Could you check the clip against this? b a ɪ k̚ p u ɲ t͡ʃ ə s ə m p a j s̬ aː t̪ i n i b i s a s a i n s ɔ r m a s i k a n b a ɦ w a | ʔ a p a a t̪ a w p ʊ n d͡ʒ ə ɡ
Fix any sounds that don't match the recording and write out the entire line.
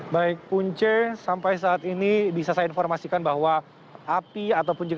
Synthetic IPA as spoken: b a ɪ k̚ p u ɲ t͡ʃ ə s a m p a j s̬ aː t̪ i n i b i s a s a i n f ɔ r m a s i k a n b a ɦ w a | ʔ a p i a t̪ a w p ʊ n d͡ʒ ə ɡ